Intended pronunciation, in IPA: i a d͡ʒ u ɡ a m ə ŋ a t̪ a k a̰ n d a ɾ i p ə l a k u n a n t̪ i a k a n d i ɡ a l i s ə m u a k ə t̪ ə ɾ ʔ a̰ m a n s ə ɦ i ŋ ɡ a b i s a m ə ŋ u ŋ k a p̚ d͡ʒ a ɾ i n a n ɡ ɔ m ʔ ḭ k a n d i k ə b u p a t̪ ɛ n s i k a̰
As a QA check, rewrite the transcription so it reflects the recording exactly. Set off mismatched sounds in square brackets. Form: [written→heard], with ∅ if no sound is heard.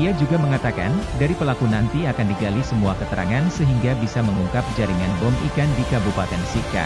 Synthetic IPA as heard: i a d͡ʒ u ɡ a m ə ŋ a t̪ a k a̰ n d a ɾ i p ə l a k u n a n t̪ i a k a n d i ɡ a l i s ə m u a k ə t̪ ə ɾ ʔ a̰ [m→ŋ] a n s ə ɦ i ŋ ɡ a b i s a m ə ŋ u ŋ k a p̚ d͡ʒ a ɾ i [n→ŋ] a n [ɡ→b] ɔ m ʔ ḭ k a n d i k [ə→a] b u p a t̪ ɛ n s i k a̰